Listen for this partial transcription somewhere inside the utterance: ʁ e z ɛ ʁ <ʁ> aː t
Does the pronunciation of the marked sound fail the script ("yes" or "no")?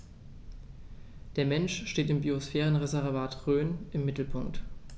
yes